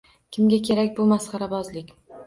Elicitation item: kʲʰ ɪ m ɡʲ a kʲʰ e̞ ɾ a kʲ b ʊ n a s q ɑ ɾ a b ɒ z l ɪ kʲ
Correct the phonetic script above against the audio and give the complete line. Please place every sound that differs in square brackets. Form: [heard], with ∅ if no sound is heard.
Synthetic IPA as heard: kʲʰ ɪ m ɡʲ a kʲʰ e̞ ɾ a kʲ b ʊ [m] a s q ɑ ɾ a b ɒ z l ɪ kʲ